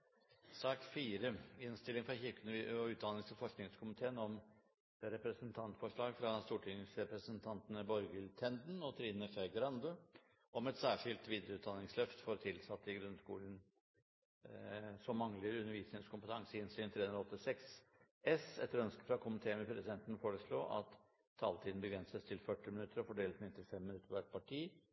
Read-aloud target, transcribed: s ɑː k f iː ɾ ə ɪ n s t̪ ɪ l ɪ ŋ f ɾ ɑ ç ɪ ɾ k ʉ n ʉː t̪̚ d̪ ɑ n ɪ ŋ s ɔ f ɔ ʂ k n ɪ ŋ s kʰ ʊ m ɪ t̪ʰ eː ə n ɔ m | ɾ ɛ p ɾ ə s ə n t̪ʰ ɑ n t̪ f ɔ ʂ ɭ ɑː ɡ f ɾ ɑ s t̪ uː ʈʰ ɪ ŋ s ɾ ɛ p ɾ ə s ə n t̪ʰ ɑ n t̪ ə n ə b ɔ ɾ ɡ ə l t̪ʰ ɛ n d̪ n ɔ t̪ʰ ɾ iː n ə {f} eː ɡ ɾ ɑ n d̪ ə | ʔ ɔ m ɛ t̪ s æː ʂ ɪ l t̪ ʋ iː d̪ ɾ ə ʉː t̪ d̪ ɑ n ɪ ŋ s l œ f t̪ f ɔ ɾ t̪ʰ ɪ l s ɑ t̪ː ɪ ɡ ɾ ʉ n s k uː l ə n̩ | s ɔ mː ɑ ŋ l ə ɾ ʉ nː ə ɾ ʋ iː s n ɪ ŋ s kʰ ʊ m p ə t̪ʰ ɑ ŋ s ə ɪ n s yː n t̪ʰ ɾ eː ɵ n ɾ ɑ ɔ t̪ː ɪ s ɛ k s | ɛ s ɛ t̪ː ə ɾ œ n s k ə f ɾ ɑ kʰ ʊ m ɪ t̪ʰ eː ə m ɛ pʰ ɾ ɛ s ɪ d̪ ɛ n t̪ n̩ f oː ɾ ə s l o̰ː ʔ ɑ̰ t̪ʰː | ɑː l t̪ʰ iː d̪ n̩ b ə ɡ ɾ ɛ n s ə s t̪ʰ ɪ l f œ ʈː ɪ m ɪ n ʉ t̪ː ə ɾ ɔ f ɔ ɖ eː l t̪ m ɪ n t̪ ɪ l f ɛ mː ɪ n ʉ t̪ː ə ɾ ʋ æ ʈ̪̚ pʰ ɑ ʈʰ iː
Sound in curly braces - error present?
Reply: no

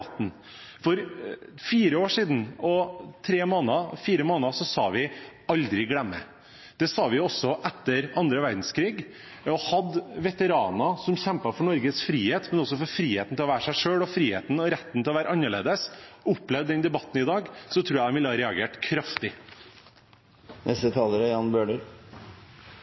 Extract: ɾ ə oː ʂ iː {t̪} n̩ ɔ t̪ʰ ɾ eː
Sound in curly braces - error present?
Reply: yes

